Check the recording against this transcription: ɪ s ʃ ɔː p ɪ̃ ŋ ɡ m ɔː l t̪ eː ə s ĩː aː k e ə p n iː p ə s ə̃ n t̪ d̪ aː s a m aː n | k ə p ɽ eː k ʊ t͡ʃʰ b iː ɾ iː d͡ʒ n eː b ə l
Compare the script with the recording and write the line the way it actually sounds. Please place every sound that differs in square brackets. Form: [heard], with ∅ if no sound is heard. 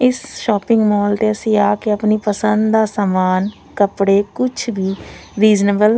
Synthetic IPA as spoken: ɪ s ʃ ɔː p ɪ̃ ŋ ɡ m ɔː l t̪ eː ə s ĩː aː k e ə p n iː p ə s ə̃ n [d̪] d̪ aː s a m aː n | k ə p ɽ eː k ʊ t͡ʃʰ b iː ɾ iː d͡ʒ n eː b ə l